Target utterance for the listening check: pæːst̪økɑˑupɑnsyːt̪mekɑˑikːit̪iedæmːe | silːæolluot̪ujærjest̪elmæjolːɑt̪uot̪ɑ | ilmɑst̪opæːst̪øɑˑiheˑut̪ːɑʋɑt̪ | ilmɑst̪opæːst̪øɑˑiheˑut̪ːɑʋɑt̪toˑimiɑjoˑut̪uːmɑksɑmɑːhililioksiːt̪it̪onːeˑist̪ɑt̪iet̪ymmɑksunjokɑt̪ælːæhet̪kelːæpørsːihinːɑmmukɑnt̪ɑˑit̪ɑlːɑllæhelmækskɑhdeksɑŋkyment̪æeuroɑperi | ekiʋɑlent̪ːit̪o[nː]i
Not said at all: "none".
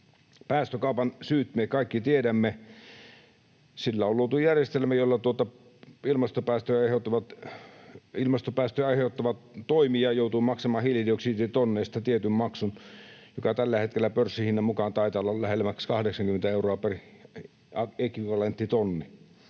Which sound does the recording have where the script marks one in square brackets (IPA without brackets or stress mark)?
nː